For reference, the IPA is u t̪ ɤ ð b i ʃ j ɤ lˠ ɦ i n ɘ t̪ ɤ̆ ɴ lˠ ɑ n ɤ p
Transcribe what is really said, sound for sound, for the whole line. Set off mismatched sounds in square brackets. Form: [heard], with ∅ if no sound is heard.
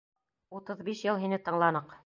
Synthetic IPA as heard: u t̪ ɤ ð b i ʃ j ɤ lˠ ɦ i n ɘ t̪ ɤ̆ ɴ lˠ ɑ n ɤ [q]